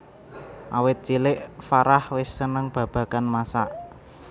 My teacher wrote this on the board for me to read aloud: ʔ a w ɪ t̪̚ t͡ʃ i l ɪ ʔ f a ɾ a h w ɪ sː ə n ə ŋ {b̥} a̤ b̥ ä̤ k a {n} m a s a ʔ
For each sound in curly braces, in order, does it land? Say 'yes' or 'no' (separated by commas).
yes, yes